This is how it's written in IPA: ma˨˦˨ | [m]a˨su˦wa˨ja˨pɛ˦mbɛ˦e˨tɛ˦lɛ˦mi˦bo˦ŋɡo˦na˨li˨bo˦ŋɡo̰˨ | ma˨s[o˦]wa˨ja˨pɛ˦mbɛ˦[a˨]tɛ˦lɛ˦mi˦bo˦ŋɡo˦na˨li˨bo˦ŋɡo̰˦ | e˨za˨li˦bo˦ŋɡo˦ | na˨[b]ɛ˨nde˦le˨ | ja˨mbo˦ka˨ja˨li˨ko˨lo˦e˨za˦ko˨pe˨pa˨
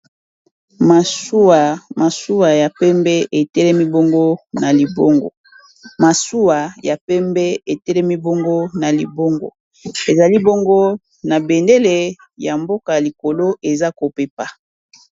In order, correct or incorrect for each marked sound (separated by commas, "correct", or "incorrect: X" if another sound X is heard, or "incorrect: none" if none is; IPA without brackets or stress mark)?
correct, incorrect: u˦, incorrect: e˨, correct